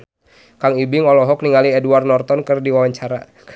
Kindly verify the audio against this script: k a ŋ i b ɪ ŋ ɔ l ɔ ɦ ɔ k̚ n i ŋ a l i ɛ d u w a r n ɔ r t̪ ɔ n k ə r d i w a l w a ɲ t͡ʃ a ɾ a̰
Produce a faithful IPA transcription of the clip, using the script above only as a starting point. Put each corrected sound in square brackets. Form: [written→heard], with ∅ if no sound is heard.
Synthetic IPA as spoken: k a ŋ i b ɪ ŋ ɔ l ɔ ɦ ɔ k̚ n i ŋ a l i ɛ d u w a r n ɔ r t̪ ɔ n k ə r d i w a [l→∅] w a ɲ t͡ʃ a ɾ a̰